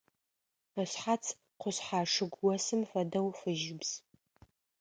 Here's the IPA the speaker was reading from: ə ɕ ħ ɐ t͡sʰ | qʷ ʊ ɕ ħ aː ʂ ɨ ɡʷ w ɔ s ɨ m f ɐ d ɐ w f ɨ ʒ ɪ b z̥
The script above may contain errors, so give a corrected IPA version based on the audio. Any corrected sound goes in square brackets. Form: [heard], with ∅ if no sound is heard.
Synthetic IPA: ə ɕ ħ [a] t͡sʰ | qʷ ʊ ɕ ħ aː ʂ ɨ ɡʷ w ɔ s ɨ m f ɐ d ɐ w f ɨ ʒ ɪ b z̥